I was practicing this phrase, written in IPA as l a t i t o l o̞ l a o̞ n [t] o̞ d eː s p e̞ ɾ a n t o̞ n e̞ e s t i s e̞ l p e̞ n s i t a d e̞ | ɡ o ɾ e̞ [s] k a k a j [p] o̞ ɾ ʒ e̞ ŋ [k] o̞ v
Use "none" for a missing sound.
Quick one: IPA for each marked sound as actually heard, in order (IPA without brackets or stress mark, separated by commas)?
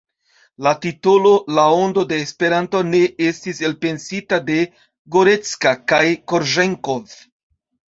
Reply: d, t͡s, k, k